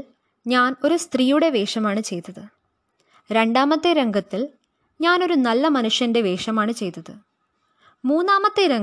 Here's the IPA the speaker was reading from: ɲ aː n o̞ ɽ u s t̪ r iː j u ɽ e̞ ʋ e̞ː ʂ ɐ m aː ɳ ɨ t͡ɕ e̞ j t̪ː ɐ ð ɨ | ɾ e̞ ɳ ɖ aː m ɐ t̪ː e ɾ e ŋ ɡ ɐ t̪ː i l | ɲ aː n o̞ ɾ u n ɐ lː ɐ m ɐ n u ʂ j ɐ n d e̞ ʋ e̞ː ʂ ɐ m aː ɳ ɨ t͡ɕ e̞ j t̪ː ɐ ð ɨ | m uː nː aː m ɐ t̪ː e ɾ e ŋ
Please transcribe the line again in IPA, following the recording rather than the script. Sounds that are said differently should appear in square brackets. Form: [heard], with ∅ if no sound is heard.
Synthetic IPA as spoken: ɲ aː n o̞ [ɾ] u s t̪ r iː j u ɽ e̞ ʋ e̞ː ʂ ɐ m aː ɳ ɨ t͡ɕ e̞ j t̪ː ɐ ð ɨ | ɾ e̞ ɳ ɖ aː m ɐ t̪ː e ɾ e ŋ ɡ ɐ t̪ː i l | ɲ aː n o̞ ɾ u n ɐ lː ɐ m ɐ n u ʂ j ɐ n d e̞ ʋ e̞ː ʂ ɐ m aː ɳ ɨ t͡ɕ e̞ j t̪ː ɐ ð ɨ | m uː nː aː m ɐ t̪ː e ɾ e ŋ